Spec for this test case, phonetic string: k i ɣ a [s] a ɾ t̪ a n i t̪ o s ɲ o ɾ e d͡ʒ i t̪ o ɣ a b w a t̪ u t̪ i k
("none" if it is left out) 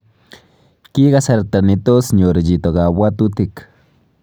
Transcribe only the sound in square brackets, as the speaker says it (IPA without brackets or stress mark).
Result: s